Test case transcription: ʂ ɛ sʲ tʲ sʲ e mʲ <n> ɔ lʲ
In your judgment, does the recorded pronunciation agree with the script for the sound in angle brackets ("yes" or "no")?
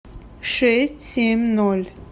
yes